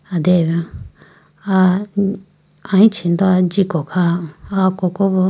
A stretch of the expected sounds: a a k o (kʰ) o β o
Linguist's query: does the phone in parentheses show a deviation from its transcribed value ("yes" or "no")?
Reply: yes